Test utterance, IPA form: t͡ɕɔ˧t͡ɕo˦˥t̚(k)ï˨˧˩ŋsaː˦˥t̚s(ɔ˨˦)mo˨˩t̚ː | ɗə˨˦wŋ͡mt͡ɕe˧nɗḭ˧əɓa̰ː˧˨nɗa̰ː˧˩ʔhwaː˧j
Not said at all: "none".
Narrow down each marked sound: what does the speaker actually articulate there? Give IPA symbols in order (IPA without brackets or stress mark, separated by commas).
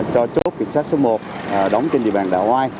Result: k, o˨˦